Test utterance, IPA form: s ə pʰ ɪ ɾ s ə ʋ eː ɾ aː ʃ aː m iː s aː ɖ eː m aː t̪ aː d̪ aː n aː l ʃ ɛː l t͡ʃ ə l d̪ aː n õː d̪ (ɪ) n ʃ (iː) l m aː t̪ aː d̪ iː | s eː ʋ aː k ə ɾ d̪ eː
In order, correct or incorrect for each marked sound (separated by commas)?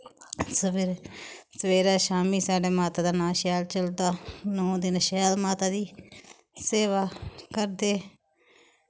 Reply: correct, incorrect